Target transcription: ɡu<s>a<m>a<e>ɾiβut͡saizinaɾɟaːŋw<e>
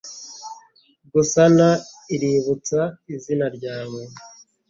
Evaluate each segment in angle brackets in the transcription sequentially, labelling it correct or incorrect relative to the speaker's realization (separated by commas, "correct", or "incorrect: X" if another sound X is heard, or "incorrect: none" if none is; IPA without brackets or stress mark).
correct, incorrect: n, incorrect: i, correct